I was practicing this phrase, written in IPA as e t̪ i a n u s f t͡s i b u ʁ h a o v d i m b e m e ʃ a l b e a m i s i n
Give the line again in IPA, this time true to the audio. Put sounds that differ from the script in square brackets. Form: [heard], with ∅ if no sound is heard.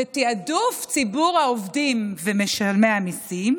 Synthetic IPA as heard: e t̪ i a [d] u [∅] f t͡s i b u ʁ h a o v d i m [v] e m e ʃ a l [m] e a m i s i [m]